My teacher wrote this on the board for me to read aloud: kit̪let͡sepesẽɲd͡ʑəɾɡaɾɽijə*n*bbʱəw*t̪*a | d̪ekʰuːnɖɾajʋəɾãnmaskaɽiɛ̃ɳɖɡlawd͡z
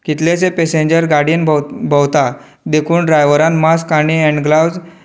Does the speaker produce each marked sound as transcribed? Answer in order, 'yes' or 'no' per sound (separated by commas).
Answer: yes, yes